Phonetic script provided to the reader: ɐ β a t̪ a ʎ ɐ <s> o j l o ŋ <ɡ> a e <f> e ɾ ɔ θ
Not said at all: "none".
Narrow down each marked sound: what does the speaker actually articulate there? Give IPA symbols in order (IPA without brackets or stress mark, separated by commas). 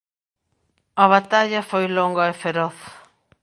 f, ɡ, f